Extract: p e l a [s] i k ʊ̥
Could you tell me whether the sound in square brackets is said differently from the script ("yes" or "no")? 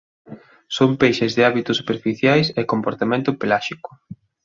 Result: yes